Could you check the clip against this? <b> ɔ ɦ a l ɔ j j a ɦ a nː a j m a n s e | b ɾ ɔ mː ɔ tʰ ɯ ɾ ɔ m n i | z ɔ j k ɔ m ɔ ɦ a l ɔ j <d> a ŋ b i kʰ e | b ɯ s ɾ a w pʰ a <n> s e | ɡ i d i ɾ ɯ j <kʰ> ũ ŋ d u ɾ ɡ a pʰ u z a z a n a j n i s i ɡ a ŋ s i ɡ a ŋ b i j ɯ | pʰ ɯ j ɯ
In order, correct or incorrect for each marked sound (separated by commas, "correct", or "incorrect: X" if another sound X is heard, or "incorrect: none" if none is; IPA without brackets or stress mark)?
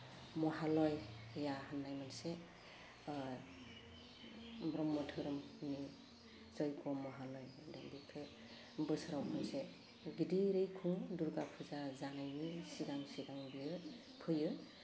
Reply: incorrect: m, correct, correct, correct